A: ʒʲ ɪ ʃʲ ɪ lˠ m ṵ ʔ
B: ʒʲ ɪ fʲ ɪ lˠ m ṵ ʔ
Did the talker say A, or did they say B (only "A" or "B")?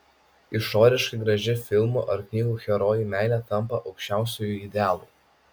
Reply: B